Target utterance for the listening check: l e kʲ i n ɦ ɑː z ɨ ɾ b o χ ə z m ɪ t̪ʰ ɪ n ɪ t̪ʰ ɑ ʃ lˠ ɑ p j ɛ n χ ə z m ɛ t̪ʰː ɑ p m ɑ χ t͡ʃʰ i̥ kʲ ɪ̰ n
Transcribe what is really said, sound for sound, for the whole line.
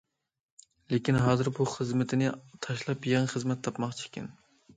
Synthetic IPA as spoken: l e kʲ i n ɦ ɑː z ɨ ɾ b u χ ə z m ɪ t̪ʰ ɪ n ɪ t̪ʰ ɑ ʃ lˠ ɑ p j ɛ ŋ χ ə z m ɛ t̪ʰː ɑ p m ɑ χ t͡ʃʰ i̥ kʲ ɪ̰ n